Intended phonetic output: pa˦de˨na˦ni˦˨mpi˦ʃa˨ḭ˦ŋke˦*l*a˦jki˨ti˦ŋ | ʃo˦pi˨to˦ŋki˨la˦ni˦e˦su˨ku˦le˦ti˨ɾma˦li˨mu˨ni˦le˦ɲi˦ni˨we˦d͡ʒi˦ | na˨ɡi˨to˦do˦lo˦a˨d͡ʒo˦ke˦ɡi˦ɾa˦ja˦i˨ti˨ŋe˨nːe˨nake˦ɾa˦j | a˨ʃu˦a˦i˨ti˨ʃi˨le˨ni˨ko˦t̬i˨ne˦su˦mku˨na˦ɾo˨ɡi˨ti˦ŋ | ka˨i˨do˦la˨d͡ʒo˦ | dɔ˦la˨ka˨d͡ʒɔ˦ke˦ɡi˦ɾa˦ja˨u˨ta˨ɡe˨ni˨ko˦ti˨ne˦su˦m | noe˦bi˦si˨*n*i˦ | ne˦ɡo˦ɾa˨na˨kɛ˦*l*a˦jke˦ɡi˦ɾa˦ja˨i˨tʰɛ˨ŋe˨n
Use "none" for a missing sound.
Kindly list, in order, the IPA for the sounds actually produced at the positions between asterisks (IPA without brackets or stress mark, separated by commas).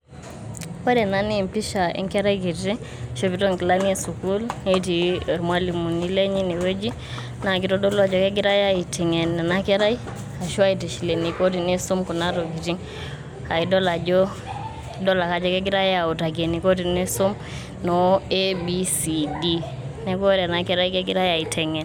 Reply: ɾ, d, ɾ